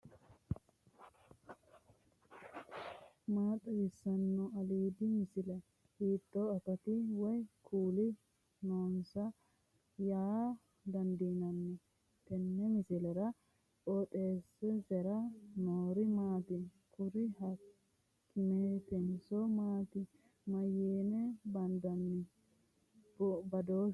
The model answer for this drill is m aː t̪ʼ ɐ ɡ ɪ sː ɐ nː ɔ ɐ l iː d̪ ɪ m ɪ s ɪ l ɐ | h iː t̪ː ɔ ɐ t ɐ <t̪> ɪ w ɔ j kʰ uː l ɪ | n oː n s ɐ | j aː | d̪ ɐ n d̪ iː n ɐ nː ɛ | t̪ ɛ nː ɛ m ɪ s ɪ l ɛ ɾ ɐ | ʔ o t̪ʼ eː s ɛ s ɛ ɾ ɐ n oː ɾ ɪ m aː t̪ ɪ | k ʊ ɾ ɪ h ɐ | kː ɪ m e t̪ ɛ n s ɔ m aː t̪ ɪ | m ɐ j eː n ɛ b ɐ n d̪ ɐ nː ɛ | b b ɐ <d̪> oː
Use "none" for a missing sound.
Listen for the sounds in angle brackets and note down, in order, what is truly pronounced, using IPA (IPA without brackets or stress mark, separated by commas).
t̪, d̪